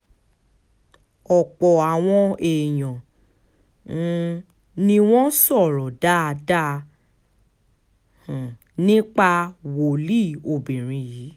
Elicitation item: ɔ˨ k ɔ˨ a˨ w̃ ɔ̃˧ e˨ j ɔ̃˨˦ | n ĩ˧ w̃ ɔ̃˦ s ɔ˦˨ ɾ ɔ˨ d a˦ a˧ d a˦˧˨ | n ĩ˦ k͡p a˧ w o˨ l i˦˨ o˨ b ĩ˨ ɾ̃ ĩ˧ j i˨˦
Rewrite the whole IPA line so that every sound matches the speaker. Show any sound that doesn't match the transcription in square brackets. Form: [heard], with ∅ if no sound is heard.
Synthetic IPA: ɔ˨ [k͡p] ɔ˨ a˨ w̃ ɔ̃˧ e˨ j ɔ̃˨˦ | n ĩ˧ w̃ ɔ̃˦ s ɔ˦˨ ɾ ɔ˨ d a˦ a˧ d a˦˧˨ | n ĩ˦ k͡p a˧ w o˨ l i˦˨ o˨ b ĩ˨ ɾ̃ ĩ˧ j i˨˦